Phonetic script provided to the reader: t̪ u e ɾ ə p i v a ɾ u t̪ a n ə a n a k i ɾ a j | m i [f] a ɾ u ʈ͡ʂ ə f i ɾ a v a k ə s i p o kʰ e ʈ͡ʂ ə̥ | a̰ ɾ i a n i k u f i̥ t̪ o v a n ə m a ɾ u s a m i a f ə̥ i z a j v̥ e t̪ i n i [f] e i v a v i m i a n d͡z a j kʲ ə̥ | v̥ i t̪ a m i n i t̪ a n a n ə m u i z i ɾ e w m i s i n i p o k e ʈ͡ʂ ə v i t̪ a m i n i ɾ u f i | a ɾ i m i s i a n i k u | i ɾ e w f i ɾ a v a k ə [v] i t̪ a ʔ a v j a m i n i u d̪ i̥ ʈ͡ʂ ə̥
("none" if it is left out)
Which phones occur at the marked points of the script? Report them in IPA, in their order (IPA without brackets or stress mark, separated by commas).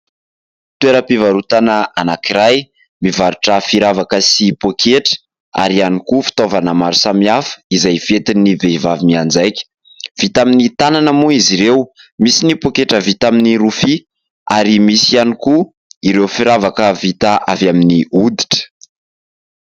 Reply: v, v, v